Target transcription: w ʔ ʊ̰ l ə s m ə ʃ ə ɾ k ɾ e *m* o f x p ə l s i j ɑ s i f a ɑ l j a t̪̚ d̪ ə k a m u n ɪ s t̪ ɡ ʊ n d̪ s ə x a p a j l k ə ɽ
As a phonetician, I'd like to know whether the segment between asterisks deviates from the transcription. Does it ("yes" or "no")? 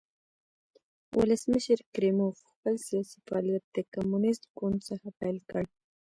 no